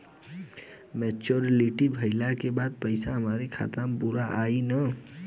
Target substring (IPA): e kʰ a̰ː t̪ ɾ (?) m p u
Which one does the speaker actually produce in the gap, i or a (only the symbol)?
a